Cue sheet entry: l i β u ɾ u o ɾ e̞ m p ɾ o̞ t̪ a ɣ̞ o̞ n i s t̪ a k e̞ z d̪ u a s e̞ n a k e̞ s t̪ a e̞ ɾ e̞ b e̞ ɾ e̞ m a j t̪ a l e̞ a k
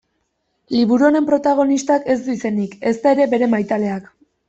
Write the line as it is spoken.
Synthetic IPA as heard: l i β u ɾ u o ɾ e̞ m p ɾ o̞ t̪ a ɣ̞ o̞ n i s t̪ a k e̞ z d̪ u i s e̞ n i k e̞ s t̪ a e̞ ɾ e̞ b e̞ ɾ e̞ m a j t̪ a l e̞ a k